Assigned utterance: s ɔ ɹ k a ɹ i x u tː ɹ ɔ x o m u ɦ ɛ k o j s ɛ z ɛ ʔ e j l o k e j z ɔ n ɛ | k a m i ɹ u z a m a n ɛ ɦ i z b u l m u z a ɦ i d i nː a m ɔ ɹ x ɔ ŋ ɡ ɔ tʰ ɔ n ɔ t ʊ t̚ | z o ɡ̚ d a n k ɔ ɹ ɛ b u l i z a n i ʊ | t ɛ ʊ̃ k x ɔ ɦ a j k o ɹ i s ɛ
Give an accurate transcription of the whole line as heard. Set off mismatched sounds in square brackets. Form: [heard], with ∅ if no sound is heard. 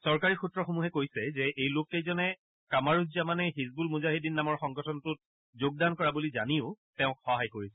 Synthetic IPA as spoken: s ɔ ɹ k a ɹ i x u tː ɹ ɔ x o m u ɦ ɛ k o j s ɛ z ɛ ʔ e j l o k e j z ɔ n ɛ | k a m [a] ɹ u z a m a n ɛ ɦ i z b u l m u z a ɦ i d i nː a m ɔ ɹ x ɔ ŋ ɡ ɔ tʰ ɔ n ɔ t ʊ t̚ | z o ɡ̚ d a n k ɔ ɹ [a] b u l i z a n i ʊ | t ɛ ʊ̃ k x ɔ ɦ a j k o ɹ i s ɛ